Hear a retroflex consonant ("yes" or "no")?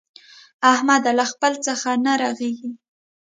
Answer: no